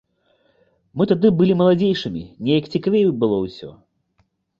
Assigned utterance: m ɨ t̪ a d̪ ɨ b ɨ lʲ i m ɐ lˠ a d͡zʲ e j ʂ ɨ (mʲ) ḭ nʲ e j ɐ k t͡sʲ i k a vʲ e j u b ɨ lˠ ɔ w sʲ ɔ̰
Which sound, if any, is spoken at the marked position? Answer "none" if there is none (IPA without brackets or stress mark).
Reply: mʲ